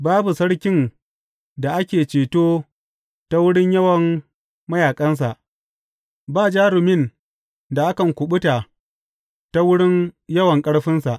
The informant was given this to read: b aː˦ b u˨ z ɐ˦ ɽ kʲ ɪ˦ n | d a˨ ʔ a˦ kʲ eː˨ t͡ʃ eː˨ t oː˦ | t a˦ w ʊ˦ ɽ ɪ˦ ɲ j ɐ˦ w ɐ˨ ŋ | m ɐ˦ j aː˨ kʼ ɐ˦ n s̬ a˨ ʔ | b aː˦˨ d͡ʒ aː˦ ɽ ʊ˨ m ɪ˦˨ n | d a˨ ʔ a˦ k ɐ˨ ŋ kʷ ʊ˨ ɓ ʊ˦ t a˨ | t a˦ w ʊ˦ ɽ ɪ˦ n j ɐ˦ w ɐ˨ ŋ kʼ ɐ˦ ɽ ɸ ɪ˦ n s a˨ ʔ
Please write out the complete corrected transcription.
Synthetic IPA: b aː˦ b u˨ s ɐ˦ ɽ kʲ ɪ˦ n | d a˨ ʔ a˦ kʲ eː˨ t͡ʃ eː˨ t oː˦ | t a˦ w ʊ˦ ɽ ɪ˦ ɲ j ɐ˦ w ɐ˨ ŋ | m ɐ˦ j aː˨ kʼ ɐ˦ n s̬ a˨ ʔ | b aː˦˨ d͡ʒ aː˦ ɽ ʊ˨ m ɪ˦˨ n | d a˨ ʔ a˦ k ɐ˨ ŋ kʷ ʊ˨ ɓ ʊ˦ t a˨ | t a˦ w ʊ˦ ɽ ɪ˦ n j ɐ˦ w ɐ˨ ŋ kʼ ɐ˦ ɽ ɸ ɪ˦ n s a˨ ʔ